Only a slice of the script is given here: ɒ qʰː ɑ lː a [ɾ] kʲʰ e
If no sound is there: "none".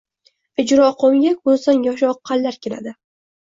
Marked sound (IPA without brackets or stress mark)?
ɾ